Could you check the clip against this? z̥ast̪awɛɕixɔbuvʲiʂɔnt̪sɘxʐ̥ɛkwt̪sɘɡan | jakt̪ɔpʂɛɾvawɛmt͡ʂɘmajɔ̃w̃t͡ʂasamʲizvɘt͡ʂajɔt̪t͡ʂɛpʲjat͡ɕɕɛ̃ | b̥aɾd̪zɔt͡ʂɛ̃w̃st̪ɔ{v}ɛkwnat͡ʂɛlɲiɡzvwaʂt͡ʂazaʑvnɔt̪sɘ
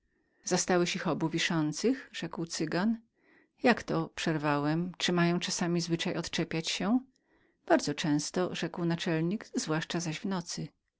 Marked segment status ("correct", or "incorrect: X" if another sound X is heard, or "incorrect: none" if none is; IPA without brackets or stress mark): incorrect: ʐ